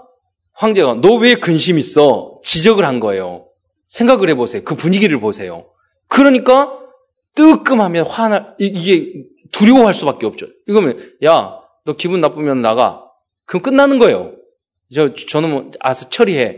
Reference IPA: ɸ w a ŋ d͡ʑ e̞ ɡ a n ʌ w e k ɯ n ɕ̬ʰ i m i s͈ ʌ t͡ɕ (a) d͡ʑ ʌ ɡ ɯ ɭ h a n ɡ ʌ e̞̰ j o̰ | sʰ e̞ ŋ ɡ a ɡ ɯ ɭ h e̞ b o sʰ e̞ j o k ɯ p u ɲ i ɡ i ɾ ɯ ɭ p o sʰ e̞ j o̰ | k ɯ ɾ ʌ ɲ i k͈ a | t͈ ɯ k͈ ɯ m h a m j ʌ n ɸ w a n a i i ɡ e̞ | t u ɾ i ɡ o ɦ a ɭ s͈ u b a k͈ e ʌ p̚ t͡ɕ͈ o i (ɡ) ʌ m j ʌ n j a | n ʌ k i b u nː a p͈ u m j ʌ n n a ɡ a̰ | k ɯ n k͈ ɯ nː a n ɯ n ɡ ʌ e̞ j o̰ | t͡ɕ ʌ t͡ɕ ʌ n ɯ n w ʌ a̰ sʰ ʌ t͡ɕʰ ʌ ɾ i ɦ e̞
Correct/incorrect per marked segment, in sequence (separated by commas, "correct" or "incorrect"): incorrect, correct